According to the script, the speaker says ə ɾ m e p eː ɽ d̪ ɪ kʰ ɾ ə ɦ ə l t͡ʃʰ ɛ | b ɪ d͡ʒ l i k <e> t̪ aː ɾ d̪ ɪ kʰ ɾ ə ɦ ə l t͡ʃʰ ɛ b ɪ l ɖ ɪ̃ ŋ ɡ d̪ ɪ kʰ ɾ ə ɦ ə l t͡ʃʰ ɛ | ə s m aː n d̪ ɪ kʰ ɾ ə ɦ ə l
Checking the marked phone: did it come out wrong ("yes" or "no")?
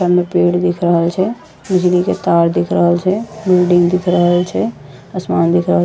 no